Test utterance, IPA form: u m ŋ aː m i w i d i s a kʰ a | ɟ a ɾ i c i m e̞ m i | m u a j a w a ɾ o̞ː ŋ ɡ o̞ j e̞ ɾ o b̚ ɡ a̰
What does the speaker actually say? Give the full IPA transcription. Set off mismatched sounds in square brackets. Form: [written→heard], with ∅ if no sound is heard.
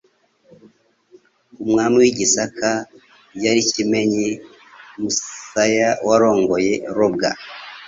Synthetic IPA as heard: u m ŋ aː m i w i [d→ɟ] i s a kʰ a | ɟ a ɾ i c i m e̞ [m→ɲ] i | m u a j a w a ɾ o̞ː ŋ ɡ o̞ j e̞ ɾ o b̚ ɡ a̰